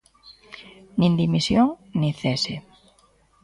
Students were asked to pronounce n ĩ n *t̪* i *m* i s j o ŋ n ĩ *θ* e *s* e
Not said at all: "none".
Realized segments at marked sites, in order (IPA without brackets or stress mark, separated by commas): d̪, m, θ, s